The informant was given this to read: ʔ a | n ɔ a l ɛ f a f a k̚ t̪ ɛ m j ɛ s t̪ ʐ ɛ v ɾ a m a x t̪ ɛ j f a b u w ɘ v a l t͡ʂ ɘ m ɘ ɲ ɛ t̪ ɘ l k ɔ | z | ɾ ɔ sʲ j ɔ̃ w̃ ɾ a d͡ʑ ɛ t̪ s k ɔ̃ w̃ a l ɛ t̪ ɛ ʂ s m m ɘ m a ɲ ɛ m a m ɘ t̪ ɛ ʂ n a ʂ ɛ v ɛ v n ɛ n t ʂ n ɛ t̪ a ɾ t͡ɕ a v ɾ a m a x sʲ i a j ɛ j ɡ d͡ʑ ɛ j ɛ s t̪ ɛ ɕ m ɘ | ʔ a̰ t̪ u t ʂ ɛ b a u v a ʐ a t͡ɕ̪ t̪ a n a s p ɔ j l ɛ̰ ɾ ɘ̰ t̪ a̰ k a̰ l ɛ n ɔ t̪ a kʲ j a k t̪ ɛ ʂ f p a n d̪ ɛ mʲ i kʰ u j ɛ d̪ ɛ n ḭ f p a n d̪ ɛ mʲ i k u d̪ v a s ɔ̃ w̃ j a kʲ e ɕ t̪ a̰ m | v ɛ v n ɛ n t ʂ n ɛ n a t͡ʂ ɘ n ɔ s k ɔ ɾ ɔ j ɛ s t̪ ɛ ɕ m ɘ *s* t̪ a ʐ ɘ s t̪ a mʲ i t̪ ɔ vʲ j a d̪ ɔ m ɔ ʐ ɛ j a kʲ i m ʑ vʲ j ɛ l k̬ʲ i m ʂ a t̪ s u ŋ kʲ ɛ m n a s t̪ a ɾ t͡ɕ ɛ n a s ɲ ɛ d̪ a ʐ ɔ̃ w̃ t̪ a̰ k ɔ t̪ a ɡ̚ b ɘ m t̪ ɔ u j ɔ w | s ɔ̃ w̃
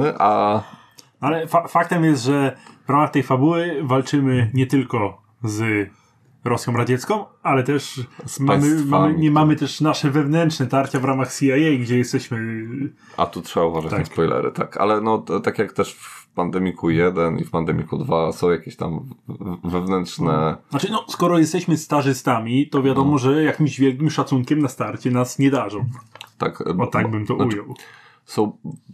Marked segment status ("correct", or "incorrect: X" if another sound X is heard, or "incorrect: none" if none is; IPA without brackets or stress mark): correct